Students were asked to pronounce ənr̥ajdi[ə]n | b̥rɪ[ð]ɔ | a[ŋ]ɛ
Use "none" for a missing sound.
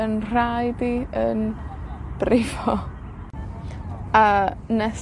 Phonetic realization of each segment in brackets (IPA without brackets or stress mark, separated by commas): ə, v, n